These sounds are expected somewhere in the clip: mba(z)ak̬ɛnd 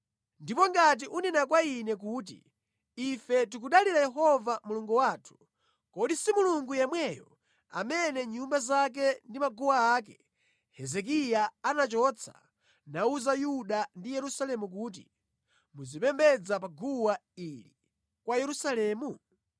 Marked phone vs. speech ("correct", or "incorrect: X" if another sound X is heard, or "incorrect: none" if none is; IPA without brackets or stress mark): correct